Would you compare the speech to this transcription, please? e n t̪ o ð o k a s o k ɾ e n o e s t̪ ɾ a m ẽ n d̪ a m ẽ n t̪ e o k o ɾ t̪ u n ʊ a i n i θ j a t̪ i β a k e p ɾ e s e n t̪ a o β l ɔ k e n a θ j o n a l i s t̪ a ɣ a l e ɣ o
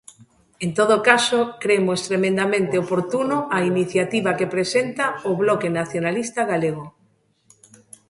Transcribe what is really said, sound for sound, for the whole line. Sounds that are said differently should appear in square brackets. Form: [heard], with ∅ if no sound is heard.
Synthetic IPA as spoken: e n t̪ o ð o k a s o k ɾ e [m] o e s t̪ ɾ [e] m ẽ n d̪ a m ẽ n t̪ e o [p] o ɾ t̪ u n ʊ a i n i θ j a t̪ i β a k e p ɾ e s e n t̪ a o β l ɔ k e n a θ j o n a l i s t̪ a ɣ a l e ɣ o